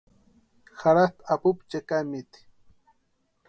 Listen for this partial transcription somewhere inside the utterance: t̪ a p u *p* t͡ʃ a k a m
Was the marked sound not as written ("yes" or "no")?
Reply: no